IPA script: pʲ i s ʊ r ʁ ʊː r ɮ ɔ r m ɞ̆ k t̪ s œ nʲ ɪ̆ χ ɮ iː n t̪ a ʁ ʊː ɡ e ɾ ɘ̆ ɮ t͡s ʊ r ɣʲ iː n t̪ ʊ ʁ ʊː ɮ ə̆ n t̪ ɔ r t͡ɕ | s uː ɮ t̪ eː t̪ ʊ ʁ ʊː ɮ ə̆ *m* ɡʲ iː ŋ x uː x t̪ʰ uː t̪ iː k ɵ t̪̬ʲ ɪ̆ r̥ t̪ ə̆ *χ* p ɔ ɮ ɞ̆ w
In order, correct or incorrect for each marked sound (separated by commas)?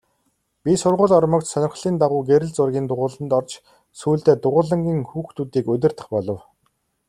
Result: incorrect, correct